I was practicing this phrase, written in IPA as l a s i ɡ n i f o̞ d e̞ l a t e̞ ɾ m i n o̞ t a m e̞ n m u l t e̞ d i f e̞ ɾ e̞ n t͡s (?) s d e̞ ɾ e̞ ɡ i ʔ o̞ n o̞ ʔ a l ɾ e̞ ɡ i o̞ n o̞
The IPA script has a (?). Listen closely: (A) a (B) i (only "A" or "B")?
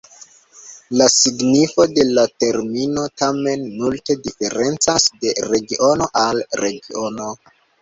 A